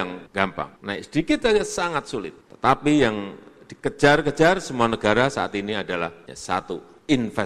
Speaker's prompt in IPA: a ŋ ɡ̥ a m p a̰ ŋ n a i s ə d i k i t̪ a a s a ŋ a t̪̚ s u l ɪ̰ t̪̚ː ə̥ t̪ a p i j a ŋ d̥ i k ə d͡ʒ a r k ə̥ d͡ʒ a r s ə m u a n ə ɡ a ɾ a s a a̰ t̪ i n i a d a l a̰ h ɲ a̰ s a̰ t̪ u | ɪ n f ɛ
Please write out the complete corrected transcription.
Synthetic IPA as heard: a ŋ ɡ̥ a m p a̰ ŋ n a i s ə d i k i t̪ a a s a ŋ a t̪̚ s u l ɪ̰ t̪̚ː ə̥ t̪ a p i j a ŋ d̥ i k ə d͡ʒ a r k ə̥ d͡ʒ a r s ə m u a n ə ɡ a ɾ a s a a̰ t̪ i n i a d a l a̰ h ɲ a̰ s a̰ t̪ u | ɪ n f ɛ